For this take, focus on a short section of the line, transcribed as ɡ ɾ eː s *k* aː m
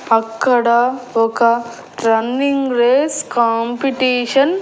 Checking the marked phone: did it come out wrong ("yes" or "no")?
no